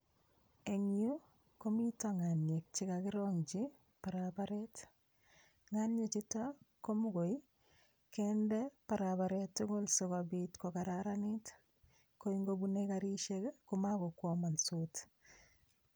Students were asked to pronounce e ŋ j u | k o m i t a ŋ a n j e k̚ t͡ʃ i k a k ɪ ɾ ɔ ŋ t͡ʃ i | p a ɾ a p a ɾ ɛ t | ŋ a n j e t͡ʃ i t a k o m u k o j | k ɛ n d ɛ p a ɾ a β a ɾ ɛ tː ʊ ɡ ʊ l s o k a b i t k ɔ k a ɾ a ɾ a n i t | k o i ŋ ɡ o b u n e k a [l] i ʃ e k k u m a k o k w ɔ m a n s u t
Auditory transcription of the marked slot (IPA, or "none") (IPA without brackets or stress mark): ɾ